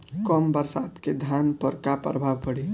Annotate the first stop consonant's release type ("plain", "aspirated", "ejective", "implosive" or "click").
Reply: plain